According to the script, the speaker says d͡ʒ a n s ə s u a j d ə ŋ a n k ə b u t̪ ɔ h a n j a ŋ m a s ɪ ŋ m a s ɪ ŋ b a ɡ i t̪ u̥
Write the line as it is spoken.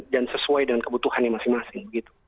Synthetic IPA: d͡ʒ a n s ə s u a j d ə ŋ a n k ə b u t̪ u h a n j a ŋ m a s ɪ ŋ m a s ɪ ŋ b ə ɡ i t̪ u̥